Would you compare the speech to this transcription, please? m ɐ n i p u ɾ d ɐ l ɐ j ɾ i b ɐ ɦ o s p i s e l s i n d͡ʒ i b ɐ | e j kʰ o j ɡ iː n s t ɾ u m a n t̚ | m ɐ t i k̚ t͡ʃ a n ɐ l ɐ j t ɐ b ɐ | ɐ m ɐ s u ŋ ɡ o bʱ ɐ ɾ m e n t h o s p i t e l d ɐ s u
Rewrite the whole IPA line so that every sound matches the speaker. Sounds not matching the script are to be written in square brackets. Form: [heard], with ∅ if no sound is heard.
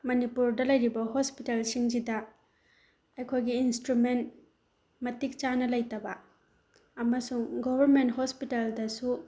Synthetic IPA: m ɐ n i p u ɾ d ɐ l ɐ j ɾ i b ɐ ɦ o s p i [t] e l s i [ŋ] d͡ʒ i [d] ɐ | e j kʰ o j ɡ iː n s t ɾ u m [e] n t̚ | m ɐ t i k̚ t͡ʃ a n ɐ l ɐ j t ɐ b ɐ | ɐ m ɐ s u ŋ ɡ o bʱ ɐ ɾ m e n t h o s p i t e l d ɐ s u